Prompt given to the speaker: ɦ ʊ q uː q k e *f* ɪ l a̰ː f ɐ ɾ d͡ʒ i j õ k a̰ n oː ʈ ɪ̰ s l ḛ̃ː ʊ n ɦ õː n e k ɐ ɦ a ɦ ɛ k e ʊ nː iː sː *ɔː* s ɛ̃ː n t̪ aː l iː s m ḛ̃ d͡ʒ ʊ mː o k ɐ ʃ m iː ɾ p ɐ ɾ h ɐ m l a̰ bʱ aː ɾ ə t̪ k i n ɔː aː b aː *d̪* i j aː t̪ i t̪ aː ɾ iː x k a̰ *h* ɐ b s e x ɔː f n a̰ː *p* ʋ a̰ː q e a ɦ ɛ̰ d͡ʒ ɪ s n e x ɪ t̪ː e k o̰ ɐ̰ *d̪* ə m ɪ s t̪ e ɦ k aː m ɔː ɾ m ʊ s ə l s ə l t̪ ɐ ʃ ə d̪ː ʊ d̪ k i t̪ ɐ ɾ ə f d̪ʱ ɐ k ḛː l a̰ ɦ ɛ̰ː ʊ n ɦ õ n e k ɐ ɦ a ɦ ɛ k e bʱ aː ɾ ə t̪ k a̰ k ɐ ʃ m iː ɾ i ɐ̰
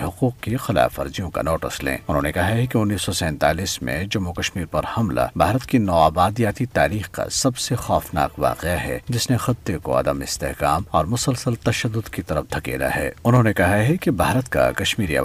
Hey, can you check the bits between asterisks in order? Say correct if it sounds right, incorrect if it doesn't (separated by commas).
incorrect, incorrect, correct, incorrect, incorrect, correct